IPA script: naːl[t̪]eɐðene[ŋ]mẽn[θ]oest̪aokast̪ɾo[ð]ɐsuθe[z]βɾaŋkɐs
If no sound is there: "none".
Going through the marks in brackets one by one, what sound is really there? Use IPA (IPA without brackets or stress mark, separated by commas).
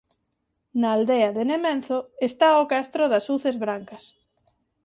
d̪, none, θ, ð, z